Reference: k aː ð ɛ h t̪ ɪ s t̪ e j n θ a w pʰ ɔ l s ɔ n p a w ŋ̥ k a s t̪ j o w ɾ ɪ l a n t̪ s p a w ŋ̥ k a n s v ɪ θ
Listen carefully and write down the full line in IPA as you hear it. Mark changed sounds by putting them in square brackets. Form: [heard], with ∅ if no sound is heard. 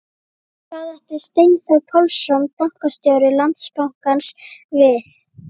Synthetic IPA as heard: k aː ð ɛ h t̪ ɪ s t̪ e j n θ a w pʰ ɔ l s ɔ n p a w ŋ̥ k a s t̪ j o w ɾ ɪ l a n t̪ s p a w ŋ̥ k a n s v ɪ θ